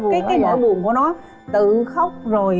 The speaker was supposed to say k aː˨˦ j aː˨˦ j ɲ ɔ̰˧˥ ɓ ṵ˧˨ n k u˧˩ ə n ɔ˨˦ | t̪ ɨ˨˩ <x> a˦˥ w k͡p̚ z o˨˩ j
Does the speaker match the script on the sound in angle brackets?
yes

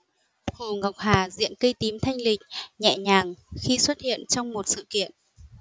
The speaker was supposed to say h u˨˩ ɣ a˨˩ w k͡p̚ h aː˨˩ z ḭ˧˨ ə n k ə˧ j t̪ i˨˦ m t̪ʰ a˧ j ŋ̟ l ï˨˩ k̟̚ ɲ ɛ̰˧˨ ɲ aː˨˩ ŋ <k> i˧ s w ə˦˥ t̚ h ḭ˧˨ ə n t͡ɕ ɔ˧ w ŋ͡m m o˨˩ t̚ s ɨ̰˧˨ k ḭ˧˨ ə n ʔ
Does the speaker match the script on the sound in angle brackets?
no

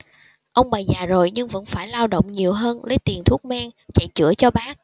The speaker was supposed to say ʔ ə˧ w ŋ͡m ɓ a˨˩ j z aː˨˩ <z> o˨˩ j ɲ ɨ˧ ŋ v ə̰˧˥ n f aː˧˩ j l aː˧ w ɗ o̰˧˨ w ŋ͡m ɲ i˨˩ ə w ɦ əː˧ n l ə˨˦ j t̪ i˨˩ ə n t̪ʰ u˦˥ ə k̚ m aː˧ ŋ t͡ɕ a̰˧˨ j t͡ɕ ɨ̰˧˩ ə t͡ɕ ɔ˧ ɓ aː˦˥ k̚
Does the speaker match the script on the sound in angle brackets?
yes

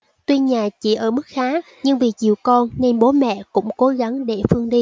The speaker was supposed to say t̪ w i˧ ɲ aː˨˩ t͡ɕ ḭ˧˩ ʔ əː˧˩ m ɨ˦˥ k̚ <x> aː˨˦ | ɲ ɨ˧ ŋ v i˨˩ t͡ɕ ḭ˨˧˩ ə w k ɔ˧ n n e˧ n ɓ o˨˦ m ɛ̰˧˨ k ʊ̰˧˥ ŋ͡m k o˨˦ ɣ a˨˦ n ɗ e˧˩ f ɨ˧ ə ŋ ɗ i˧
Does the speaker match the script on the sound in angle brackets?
yes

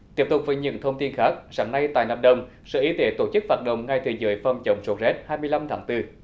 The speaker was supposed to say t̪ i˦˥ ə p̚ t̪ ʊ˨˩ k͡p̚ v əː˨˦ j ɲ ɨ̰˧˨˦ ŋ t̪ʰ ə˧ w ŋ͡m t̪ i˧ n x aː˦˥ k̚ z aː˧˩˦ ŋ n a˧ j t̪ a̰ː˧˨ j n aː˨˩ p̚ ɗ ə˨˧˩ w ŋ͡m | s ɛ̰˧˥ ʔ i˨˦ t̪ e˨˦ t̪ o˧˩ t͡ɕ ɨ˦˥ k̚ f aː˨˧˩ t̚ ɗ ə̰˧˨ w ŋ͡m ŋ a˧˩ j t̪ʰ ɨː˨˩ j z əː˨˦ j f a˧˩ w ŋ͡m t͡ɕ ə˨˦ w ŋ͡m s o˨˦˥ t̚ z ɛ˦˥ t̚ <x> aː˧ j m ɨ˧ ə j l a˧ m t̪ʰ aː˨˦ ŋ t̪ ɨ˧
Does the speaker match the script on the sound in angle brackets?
no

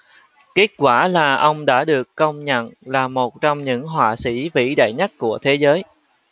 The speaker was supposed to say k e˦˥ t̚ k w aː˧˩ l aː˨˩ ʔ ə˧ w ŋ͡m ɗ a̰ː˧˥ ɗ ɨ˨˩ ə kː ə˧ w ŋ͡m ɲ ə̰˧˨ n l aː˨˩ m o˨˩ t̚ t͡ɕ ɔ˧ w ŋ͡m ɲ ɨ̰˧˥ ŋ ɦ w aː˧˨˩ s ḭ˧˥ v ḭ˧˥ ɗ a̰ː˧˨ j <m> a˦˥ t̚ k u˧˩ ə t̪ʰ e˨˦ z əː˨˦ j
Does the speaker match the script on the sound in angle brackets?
no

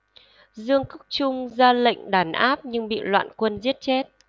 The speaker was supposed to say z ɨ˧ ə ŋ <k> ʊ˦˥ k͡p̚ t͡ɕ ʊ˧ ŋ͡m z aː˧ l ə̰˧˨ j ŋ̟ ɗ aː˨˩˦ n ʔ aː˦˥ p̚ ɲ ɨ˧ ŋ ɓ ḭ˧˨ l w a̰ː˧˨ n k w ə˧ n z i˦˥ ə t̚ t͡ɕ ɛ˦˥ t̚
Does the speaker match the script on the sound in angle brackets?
yes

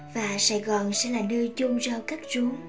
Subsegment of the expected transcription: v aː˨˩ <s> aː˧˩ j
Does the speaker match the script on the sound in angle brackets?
yes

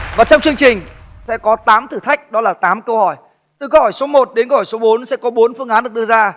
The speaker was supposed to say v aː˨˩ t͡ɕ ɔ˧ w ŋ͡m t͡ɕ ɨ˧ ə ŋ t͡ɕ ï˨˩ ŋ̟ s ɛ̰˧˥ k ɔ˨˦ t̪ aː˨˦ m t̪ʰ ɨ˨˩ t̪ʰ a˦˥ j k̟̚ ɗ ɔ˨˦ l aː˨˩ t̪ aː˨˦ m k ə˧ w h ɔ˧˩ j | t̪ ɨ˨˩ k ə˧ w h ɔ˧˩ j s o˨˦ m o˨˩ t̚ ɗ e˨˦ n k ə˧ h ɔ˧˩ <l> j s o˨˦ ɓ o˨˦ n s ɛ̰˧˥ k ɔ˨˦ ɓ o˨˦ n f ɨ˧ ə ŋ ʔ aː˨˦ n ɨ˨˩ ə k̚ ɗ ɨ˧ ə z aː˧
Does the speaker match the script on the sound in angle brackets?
no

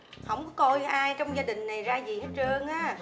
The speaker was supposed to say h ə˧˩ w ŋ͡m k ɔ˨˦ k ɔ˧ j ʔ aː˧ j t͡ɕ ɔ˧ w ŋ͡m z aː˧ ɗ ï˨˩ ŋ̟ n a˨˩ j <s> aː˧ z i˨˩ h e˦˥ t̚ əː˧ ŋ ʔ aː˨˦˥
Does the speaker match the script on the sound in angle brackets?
no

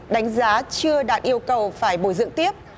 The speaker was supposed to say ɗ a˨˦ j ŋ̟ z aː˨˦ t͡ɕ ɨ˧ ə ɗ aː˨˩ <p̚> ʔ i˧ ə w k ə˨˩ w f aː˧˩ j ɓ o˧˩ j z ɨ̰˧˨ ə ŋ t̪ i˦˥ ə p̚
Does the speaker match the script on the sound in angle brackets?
no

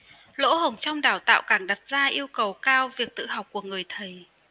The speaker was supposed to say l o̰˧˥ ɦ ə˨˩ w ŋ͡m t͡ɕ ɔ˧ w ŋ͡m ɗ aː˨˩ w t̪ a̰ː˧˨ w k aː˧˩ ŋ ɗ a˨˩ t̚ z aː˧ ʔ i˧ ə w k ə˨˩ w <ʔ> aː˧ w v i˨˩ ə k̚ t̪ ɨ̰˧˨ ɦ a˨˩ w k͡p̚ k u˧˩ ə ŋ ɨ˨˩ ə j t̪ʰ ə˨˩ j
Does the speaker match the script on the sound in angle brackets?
no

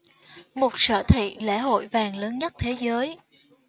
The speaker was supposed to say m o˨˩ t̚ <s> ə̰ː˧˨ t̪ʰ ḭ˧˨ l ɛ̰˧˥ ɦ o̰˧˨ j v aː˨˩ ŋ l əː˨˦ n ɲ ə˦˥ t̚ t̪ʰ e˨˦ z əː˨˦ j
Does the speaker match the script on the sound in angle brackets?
yes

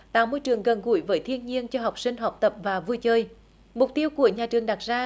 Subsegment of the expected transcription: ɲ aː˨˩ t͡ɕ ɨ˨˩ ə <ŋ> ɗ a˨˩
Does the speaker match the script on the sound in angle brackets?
yes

